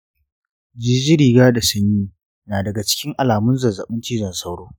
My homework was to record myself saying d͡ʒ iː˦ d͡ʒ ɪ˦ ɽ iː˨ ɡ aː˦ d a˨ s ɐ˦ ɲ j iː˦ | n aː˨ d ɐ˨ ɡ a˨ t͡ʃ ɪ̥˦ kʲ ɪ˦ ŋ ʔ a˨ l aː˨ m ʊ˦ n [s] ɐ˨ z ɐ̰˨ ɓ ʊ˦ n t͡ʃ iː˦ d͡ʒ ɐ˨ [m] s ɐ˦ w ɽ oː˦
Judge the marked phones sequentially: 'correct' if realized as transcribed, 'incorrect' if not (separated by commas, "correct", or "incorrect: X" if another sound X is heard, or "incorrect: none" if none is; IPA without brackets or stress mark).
incorrect: z, incorrect: n